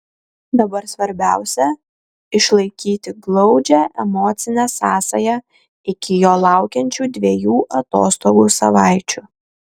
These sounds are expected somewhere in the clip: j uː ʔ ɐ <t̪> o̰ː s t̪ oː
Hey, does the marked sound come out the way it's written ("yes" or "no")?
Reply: yes